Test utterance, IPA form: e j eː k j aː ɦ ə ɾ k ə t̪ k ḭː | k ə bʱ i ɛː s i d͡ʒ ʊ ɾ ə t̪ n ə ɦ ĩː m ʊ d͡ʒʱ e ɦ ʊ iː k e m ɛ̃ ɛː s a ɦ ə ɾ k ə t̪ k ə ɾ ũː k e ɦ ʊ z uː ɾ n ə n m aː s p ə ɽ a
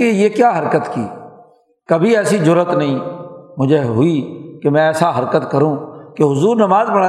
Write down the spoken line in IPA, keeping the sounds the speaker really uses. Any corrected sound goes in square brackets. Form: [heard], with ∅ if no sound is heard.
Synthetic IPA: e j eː k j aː ɦ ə ɾ k ə t̪ k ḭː | k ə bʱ i ɛː s i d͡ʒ ʊ ɾ ə t̪ n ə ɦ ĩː m ʊ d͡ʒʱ e ɦ ʊ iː k e m ɛ̃ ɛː s a ɦ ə ɾ k ə t̪ k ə ɾ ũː k e ɦ ʊ z uː ɾ n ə [∅] m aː [z] p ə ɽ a